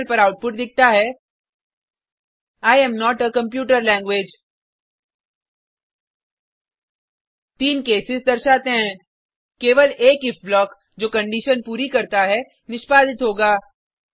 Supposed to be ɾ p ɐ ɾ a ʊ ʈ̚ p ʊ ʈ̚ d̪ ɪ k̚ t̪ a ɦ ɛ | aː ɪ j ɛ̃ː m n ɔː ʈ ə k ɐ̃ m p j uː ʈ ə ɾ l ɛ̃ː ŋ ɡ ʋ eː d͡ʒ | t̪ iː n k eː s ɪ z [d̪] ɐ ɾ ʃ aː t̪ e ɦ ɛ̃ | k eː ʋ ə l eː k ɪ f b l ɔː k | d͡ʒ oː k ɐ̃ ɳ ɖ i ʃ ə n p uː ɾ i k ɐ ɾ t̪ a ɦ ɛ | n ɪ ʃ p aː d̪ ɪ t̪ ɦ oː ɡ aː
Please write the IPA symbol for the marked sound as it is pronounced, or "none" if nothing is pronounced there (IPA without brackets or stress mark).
d̪